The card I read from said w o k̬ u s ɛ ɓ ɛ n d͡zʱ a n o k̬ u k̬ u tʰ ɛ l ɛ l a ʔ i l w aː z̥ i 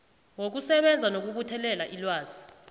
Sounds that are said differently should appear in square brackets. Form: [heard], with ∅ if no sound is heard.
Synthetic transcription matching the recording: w o k̬ u s ɛ ɓ ɛ n d͡zʱ a n o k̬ u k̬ u tʰ ɛ l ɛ l a ʔ i l w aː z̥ i